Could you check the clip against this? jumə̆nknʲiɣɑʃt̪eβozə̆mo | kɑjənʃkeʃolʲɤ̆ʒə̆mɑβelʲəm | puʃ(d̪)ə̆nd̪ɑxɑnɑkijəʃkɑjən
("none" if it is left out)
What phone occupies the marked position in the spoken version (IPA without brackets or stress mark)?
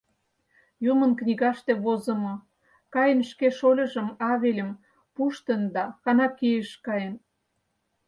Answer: t̪